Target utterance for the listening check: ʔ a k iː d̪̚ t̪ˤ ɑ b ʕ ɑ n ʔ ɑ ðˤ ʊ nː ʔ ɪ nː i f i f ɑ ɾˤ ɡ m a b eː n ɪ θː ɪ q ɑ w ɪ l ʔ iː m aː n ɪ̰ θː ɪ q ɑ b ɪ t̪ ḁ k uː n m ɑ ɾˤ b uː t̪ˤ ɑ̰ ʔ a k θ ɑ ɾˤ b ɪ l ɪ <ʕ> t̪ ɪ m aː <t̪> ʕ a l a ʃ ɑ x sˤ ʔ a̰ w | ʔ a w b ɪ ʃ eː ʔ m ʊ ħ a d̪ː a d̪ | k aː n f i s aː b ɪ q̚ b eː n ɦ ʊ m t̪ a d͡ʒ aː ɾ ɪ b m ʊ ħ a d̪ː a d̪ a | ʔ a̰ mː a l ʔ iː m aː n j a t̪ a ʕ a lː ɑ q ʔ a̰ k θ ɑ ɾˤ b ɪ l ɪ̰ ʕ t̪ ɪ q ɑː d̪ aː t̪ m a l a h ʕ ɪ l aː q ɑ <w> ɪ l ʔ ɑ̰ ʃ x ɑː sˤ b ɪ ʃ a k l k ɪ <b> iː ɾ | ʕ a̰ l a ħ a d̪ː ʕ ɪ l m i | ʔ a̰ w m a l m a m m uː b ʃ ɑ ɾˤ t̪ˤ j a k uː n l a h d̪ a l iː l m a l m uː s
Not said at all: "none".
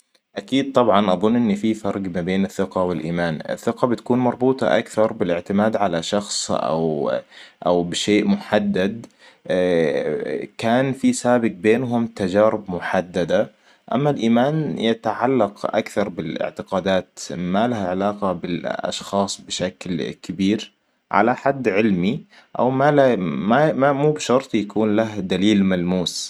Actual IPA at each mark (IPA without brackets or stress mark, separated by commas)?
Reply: ʕ, d̪, b, b